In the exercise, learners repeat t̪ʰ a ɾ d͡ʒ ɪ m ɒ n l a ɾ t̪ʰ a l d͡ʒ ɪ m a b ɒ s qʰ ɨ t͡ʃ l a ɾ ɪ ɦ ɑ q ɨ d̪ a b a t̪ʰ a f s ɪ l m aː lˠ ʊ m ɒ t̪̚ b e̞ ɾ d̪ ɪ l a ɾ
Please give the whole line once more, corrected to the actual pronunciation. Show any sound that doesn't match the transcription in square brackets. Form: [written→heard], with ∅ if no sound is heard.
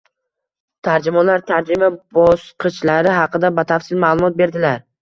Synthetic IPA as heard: t̪ʰ a ɾ d͡ʒ ɪ m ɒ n l a ɾ t̪ʰ a [l→ɾ] d͡ʒ ɪ m a b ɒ s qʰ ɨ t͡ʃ l a ɾ ɪ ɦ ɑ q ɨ d̪ a b a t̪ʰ a f s ɪ l m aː lˠ ʊ m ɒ t̪̚ b e̞ ɾ d̪ ɪ l a ɾ